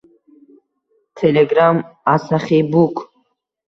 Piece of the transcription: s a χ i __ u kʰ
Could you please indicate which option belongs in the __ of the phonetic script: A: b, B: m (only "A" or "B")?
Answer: A